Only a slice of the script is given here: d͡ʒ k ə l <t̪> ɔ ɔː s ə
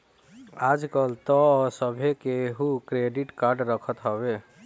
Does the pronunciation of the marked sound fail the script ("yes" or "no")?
no